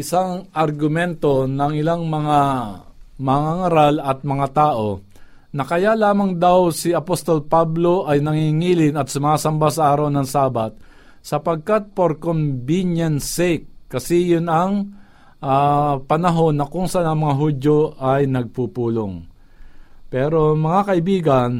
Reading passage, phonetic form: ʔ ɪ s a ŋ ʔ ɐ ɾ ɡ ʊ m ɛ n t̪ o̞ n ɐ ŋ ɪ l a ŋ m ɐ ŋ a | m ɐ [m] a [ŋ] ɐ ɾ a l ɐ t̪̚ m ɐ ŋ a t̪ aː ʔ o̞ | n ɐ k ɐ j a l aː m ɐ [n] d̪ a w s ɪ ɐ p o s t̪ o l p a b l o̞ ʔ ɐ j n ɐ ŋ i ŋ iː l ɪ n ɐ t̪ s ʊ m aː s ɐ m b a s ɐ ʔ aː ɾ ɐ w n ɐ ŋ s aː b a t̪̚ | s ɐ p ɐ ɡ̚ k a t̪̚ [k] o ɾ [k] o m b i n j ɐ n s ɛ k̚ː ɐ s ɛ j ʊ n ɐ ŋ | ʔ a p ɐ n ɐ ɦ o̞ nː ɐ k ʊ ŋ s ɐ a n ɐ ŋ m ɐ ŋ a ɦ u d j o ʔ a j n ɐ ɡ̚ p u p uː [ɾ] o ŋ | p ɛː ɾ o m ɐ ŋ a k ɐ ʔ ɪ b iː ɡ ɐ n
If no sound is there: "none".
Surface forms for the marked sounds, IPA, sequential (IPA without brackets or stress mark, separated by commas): ŋ, ŋ, ŋ, p, k, l